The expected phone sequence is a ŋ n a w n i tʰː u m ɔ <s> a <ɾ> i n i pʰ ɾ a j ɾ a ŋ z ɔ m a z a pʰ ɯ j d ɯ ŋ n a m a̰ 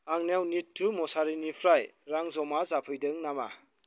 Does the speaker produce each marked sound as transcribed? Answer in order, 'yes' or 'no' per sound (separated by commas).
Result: yes, yes